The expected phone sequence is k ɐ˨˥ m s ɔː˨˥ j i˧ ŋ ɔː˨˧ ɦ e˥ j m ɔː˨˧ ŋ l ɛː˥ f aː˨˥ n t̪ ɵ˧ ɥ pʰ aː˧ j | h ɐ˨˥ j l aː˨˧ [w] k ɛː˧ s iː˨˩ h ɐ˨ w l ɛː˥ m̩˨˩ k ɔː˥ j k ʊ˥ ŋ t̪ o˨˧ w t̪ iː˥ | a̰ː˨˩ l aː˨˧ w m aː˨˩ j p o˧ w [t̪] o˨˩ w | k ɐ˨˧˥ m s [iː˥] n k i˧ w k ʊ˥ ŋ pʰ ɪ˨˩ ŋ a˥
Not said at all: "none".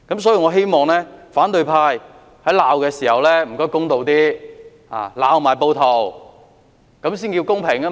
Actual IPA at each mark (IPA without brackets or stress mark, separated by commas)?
w, t̪ʰ, iː˥